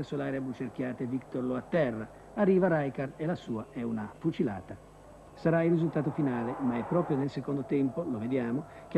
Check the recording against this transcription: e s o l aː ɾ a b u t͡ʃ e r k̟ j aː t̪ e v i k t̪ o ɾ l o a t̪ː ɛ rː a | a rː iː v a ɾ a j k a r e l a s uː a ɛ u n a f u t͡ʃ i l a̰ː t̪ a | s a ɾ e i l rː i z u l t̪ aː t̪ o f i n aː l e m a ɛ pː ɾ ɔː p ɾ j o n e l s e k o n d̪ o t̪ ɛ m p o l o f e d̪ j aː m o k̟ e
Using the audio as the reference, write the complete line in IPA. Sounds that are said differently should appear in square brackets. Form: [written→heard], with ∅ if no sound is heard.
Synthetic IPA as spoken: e s o l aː ɾ a b u t͡ʃ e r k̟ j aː t̪ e v i k t̪ o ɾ l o a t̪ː ɛ rː a | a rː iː v a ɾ a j k a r e l a s uː a ɛ u n a f u t͡ʃ i l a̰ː t̪ a | s a ɾ [e→a] i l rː i z u l t̪ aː t̪ o f i n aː l e m a ɛ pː ɾ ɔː p ɾ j o n e l s e k o n d̪ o t̪ ɛ m p o l o [f→v] e d̪ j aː m o k̟ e